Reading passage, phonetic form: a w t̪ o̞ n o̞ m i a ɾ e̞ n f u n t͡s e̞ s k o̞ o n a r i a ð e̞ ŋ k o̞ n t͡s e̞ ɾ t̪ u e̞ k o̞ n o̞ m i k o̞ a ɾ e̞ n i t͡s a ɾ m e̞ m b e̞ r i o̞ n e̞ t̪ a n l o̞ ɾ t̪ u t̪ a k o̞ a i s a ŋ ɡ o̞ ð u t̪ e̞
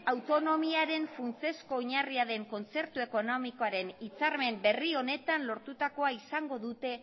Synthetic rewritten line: a w t̪ o̞ n o̞ m i a ɾ e̞ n f u n t͡s e̞ s k o̞ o ɲ a r i a ð e̞ ŋ k o̞ n t͡s e̞ ɾ t̪ u e̞ k o̞ n o̞ m i k o̞ a ɾ e̞ n i t͡s a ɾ m e̞ m b e̞ r i o̞ n e̞ t̪ a n l o̞ ɾ t̪ u t̪ a k o̞ a i s a ŋ ɡ o̞ ð u t̪ e̞